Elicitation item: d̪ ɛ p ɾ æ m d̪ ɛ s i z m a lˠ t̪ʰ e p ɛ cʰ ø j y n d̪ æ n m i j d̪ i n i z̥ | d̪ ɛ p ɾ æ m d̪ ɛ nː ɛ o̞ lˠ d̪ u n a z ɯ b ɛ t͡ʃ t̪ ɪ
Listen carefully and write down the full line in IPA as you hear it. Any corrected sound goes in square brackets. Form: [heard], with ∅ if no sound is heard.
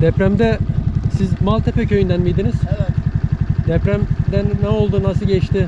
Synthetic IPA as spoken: d̪ ɛ p ɾ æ m d̪ ɛ s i z m a lˠ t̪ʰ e p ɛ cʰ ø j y n d̪ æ n m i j d̪ i n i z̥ | d̪ ɛ p ɾ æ m d̪ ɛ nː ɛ o̞ lˠ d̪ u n a [s] ɯ [ɟ] ɛ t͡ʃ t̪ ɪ